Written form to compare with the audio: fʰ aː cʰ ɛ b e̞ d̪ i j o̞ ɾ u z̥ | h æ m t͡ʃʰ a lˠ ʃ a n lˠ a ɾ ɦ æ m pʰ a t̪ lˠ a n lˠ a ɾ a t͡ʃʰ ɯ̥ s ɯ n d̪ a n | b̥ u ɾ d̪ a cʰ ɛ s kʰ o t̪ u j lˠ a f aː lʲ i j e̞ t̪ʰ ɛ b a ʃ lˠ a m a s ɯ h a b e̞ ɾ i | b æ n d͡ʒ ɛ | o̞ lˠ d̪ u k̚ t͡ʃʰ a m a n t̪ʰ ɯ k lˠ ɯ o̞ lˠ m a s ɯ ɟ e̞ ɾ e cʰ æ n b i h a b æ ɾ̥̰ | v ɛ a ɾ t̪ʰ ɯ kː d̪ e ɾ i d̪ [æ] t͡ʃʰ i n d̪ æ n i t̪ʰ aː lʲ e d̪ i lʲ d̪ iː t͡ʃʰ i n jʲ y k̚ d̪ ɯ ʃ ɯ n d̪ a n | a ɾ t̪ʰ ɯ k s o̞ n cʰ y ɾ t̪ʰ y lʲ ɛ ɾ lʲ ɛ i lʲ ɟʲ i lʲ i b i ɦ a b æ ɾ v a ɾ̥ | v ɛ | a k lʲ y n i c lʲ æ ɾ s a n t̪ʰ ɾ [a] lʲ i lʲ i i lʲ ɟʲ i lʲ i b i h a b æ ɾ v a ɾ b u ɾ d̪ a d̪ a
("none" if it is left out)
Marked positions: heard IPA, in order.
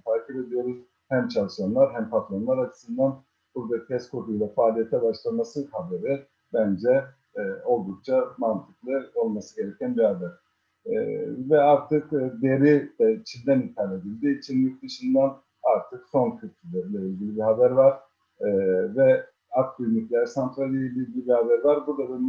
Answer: ɛ, a

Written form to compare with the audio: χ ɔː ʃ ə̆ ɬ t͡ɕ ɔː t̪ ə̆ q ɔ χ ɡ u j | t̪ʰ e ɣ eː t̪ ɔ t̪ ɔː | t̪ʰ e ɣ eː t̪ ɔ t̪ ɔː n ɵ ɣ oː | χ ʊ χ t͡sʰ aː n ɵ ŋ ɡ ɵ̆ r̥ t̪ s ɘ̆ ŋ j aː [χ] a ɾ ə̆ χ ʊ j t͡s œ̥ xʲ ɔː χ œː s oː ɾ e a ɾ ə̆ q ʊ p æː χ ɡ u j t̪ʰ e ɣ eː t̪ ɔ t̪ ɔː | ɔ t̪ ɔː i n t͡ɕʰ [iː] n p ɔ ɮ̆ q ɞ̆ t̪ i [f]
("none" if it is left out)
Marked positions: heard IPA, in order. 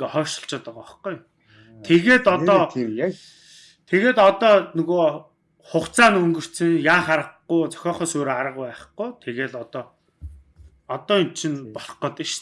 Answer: χ, i, ʃ

